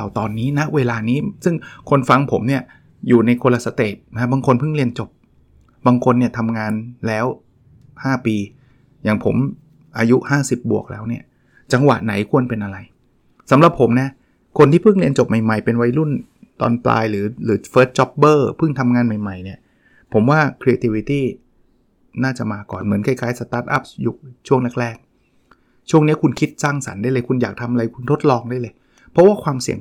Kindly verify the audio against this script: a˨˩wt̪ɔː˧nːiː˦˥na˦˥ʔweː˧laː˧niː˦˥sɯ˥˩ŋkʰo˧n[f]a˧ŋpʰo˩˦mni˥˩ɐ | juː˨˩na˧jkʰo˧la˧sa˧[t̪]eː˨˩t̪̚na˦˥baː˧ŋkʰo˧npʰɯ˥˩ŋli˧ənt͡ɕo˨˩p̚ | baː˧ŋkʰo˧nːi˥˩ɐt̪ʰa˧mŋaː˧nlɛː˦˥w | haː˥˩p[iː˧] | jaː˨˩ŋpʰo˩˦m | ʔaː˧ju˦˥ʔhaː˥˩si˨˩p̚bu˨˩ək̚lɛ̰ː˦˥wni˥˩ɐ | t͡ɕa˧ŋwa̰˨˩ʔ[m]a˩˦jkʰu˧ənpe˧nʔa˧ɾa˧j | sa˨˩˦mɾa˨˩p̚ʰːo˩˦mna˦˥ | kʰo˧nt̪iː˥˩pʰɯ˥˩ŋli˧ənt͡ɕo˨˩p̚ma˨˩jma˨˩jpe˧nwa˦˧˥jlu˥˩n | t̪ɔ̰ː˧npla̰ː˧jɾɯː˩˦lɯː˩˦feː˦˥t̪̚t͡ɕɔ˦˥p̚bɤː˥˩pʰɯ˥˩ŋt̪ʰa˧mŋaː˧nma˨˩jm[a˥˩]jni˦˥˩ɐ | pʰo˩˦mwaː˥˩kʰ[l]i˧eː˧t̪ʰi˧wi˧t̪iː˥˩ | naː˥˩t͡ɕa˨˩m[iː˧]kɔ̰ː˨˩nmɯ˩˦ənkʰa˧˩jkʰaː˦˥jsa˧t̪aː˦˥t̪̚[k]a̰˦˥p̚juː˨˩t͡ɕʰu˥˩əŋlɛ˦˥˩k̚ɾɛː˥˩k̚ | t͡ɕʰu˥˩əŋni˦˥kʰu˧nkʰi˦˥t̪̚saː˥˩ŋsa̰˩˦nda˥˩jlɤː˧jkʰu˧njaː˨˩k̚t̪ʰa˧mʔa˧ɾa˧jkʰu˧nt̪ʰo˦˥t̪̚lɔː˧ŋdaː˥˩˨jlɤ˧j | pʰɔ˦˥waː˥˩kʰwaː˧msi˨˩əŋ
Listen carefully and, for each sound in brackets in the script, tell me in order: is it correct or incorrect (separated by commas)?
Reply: correct, correct, correct, incorrect, incorrect, incorrect, incorrect, incorrect